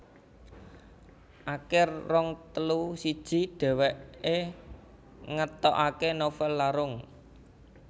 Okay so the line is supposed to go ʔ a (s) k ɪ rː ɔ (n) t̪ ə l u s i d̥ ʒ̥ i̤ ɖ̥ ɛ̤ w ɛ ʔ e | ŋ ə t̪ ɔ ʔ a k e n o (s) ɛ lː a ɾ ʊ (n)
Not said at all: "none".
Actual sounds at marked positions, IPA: none, ŋ, f, ŋ

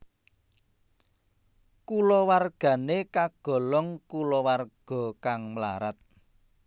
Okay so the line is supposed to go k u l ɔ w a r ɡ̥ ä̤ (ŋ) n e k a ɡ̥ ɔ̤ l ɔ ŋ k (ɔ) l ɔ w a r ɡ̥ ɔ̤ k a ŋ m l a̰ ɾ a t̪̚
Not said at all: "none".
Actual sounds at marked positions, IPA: none, u

